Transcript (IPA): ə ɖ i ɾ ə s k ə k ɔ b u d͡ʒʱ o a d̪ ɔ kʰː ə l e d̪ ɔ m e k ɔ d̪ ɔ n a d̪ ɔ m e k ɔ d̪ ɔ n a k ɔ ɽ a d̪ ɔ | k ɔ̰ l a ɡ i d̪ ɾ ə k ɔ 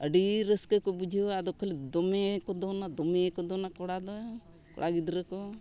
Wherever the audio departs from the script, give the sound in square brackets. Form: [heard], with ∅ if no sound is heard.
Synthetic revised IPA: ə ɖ i ɾ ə s k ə k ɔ b u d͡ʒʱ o a d̪ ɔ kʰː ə l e d̪ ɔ m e k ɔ d̪ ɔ n a d̪ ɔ m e k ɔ d̪ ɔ n a k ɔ ɽ a d̪ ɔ | k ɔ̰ [ɽ] a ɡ i d̪ ɾ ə k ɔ